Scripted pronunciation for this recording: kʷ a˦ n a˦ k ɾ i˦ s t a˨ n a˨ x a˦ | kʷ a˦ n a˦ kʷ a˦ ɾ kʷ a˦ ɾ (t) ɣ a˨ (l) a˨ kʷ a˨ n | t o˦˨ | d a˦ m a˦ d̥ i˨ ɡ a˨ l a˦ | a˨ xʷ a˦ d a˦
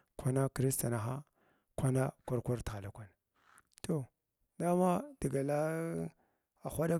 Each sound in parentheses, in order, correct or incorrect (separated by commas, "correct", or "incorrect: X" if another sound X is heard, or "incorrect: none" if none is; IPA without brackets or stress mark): correct, correct